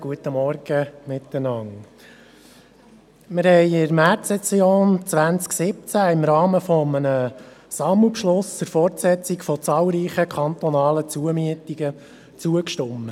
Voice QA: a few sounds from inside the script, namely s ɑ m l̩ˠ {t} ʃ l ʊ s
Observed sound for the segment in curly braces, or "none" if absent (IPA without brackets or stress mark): p